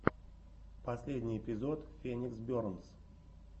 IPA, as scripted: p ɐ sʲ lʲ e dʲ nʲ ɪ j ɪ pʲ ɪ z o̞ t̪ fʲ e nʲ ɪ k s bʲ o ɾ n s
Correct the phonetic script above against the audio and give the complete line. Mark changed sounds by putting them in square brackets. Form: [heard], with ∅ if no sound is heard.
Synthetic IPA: p ɐ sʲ lʲ e dʲ nʲ ɪ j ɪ pʲ ɪ z o̞ t̪ fʲ e nʲ ɪ k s bʲ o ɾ n s